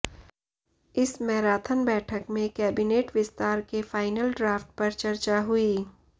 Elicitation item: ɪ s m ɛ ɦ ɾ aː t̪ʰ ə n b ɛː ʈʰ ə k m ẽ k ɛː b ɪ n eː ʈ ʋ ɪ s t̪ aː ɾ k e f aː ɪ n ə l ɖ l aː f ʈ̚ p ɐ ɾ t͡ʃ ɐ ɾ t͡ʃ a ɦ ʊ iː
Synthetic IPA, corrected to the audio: ɪ s m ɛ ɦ ɾ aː t̪ʰ ə n b ɛː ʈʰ ə k m ẽ k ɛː b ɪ n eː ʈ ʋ ɪ s t̪ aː ɾ k e f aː ɪ n ə l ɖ ɾ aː f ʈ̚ p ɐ ɾ t͡ʃ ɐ ɾ t͡ʃ a ɦ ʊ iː